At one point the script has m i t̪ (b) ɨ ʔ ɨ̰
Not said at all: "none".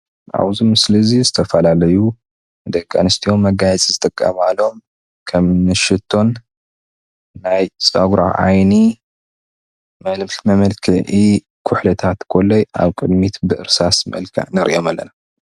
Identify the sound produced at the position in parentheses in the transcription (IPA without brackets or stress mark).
b